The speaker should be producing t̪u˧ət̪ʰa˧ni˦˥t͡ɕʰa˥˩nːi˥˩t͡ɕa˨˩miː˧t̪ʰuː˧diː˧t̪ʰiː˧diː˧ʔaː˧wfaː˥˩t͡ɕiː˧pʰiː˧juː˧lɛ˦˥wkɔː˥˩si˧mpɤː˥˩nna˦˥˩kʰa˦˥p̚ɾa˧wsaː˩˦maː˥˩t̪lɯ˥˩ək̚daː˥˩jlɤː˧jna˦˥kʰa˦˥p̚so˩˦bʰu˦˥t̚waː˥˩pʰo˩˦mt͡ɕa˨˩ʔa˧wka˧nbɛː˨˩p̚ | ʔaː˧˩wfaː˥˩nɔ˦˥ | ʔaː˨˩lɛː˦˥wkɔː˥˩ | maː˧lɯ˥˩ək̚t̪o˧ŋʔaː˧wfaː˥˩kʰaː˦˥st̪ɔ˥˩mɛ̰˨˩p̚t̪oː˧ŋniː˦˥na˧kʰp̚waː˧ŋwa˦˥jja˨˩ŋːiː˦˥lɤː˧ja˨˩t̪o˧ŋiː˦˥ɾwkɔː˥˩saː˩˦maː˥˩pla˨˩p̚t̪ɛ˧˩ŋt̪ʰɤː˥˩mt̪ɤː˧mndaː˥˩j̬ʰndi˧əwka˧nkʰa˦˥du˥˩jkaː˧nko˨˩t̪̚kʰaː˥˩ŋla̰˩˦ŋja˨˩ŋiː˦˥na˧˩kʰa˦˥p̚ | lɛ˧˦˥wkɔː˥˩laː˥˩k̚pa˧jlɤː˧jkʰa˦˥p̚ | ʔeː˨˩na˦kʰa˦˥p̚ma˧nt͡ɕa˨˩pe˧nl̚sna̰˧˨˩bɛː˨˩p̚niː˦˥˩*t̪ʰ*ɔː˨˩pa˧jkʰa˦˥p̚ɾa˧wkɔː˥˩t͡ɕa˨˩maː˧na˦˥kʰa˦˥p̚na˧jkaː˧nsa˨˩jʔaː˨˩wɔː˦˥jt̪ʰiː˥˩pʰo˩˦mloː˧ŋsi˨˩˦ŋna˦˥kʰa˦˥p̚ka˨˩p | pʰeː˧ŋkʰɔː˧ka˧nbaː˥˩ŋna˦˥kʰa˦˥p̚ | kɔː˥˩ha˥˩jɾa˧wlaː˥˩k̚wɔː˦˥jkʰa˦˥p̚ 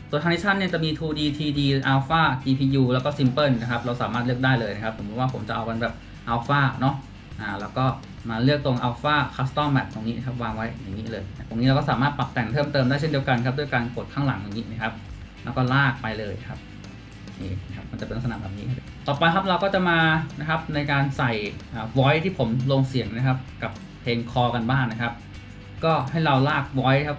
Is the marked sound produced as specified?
no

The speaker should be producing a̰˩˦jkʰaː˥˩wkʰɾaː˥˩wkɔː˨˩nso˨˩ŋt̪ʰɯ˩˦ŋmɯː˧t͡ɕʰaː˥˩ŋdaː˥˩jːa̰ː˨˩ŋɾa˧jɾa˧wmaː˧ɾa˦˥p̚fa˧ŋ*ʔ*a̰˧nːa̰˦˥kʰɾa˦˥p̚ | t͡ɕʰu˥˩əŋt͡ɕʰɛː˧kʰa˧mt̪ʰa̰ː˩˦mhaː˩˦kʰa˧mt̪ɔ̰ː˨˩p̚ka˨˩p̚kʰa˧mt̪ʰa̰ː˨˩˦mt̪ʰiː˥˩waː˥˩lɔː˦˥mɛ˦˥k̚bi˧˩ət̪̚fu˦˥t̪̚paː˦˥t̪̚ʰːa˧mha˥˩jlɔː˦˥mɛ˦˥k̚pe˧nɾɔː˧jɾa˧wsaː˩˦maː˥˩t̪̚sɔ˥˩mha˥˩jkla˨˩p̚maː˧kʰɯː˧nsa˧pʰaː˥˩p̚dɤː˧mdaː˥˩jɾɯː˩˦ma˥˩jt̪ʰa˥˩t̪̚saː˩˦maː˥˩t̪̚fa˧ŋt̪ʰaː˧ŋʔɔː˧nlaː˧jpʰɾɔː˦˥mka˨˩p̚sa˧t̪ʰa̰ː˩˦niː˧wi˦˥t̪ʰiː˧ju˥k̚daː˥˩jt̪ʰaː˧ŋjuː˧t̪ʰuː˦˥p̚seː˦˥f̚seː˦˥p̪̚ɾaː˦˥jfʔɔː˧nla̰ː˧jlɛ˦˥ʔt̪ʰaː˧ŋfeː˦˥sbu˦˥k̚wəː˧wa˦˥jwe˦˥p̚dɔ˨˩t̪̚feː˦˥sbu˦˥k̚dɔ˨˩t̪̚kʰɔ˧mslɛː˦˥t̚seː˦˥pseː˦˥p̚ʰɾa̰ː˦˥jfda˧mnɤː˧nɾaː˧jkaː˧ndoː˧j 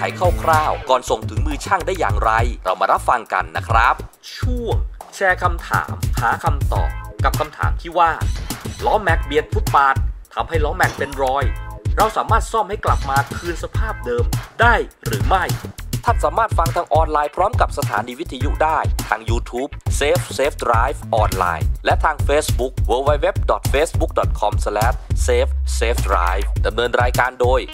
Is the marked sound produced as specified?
no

